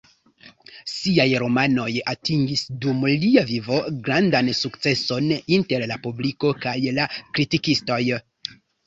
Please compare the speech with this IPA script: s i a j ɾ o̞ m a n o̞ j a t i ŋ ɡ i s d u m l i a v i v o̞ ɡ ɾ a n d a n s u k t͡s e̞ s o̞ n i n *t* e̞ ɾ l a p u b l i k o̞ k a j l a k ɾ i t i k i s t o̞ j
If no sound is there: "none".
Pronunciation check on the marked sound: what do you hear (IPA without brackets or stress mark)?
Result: t